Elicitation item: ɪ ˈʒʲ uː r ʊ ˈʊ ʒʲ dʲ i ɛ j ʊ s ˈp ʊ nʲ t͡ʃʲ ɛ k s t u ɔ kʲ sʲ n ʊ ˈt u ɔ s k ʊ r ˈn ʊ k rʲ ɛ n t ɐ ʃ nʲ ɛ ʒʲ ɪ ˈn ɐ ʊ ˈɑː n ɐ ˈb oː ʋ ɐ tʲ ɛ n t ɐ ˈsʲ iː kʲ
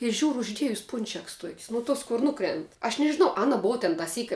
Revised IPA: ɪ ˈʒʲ uː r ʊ ˈʊ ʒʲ dʲ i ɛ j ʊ s ˈp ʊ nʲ t͡ʃʲ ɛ k s t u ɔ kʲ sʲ n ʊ ˈt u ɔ s k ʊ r ˈn ʊ k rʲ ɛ n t ɐ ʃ nʲ ɛ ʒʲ ɪ ˈn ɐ ʊ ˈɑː n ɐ ˈb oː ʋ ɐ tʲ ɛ n t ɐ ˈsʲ iː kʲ